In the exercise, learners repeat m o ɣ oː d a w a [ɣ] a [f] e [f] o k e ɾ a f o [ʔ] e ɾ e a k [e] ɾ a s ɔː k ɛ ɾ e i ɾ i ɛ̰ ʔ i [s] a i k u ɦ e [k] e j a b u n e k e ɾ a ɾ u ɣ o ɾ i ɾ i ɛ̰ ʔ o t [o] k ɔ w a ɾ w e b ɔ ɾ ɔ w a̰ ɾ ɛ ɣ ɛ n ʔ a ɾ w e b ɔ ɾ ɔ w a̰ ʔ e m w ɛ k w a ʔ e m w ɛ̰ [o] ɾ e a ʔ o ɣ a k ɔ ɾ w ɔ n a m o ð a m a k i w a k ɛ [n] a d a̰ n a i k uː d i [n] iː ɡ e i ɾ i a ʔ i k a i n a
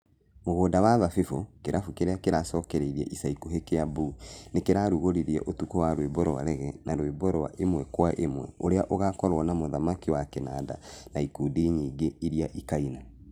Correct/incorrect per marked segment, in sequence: incorrect: ð, correct, correct, incorrect: k, correct, correct, correct, incorrect: u, correct, correct, incorrect: ɲ

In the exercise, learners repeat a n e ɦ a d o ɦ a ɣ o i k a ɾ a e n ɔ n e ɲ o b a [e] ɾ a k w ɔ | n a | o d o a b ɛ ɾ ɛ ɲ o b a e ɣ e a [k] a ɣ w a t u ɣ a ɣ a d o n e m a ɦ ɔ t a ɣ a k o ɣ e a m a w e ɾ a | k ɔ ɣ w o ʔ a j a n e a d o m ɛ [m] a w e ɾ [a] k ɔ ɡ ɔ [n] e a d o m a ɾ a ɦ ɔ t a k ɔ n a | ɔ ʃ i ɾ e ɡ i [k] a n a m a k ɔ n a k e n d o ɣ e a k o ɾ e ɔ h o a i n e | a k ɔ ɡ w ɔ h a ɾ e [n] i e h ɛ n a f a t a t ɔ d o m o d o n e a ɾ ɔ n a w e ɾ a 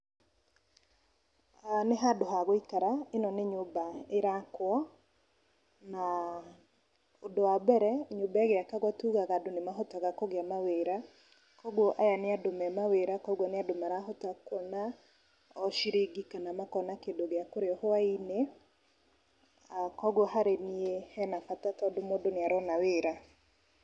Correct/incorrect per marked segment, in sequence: correct, correct, correct, correct, correct, correct, correct

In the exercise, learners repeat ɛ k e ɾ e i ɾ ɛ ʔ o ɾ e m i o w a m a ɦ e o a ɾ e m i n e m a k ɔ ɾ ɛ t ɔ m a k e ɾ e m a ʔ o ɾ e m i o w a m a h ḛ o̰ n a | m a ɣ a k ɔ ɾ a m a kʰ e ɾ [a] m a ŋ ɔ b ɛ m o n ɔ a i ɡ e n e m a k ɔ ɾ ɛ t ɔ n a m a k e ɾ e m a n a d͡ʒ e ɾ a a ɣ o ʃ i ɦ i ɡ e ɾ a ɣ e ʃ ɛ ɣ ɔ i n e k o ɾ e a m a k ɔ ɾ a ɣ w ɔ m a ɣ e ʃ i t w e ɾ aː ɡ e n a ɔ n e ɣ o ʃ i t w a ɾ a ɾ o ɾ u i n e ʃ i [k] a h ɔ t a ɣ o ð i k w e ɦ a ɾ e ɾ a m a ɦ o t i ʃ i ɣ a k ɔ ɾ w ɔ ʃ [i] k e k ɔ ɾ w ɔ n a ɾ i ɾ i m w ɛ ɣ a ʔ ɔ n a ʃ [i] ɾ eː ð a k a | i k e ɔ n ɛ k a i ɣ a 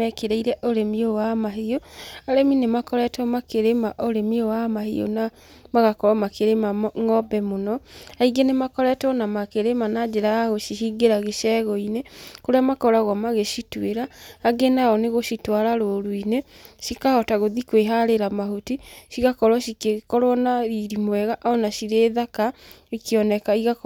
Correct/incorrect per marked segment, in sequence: incorrect: e, correct, correct, correct

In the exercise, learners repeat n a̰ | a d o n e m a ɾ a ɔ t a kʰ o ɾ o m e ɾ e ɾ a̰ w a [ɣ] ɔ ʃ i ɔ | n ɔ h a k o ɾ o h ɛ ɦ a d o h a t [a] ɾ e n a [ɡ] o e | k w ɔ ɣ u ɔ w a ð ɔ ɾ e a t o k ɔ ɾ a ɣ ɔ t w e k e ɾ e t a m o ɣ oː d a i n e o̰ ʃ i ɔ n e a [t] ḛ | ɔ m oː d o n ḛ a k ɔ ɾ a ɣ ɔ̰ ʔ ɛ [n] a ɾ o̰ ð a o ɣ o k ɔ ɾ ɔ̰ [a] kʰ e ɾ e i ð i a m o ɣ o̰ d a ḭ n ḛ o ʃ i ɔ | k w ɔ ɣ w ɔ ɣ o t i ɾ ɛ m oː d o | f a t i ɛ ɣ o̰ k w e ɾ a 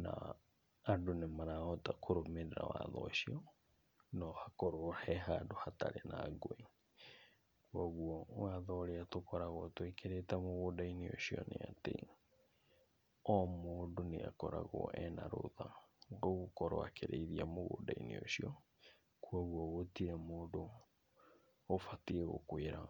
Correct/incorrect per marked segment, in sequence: incorrect: ð, correct, correct, correct, correct, correct

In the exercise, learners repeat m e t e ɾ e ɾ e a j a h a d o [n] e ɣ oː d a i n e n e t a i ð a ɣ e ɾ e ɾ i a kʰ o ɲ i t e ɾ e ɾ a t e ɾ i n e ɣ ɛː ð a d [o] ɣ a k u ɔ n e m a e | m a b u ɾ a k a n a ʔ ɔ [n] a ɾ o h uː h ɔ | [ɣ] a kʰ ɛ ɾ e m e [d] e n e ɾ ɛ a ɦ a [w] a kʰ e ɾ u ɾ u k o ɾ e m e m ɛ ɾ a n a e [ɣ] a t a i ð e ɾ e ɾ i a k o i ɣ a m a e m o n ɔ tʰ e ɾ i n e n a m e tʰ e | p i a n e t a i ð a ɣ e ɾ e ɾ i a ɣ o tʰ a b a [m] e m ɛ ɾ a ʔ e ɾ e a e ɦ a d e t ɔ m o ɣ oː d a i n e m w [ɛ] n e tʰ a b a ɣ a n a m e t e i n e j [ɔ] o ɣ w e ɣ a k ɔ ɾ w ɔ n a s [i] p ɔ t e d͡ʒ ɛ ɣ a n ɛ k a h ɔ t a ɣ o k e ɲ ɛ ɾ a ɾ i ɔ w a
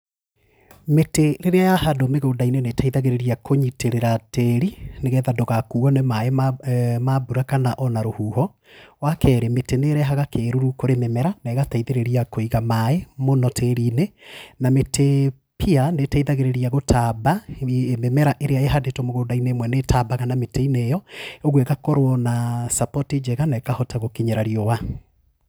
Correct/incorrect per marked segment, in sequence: incorrect: m, correct, correct, incorrect: w, incorrect: t, incorrect: ɣ, correct, correct, correct, correct, incorrect: a

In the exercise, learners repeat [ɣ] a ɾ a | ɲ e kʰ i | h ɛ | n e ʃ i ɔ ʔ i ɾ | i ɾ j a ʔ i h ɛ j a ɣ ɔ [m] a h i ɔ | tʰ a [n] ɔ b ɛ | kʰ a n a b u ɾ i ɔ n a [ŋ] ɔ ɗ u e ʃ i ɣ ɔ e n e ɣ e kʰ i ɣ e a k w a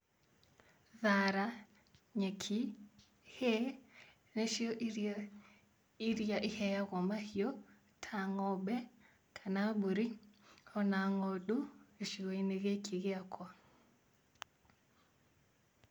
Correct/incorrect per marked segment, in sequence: incorrect: ð, correct, incorrect: ŋ, correct

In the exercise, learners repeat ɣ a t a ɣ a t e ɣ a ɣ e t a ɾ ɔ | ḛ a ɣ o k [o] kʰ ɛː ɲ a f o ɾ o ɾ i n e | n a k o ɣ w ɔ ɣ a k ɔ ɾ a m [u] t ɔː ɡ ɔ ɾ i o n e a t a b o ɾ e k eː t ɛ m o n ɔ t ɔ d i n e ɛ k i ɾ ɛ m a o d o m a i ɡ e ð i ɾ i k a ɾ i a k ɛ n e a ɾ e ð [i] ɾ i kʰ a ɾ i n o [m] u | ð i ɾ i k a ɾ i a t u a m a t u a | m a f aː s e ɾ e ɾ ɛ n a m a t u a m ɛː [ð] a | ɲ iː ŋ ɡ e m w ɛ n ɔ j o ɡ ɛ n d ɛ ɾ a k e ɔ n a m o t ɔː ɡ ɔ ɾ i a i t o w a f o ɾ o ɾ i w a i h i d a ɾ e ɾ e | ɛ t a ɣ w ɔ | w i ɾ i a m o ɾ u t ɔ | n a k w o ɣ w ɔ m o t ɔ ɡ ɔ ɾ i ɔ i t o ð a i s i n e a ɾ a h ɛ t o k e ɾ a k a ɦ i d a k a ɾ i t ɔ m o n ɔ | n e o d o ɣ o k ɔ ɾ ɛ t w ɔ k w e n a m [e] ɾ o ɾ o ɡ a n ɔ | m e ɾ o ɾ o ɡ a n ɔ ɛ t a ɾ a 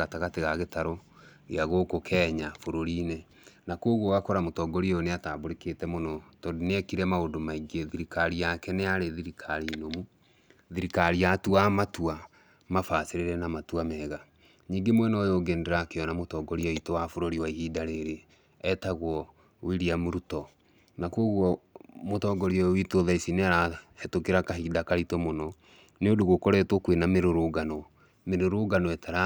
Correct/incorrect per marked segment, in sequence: correct, incorrect: o, correct, correct, incorrect: ɣ, correct

